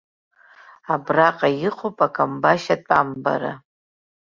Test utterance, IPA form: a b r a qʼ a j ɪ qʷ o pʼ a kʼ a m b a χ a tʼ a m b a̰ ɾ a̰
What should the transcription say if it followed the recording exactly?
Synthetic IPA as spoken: a b r a qʼ a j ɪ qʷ o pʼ a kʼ a m b a ʃ a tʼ a m b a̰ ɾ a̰